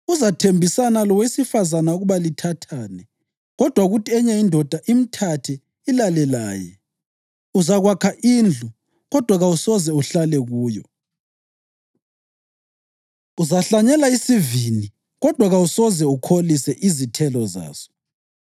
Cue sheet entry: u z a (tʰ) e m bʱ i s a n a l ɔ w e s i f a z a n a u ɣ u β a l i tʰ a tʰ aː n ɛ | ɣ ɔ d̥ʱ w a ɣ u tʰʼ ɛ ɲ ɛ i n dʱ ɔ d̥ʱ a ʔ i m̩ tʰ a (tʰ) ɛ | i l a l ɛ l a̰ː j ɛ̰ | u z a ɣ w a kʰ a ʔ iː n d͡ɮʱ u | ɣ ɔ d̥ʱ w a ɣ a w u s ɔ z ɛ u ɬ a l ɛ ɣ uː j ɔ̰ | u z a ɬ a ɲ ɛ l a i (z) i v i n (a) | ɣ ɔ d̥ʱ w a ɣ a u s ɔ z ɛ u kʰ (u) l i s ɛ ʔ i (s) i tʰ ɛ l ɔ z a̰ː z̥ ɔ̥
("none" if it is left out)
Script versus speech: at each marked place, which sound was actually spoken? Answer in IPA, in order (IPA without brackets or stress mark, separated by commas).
tʰ, tʰ, s, i, o, z